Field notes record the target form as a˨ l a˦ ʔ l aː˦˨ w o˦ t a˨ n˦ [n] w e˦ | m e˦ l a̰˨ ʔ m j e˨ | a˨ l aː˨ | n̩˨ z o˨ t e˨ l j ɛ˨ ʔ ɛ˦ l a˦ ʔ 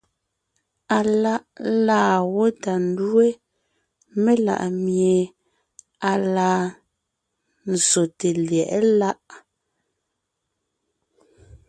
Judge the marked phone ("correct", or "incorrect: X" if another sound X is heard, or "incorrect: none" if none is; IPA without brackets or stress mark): incorrect: d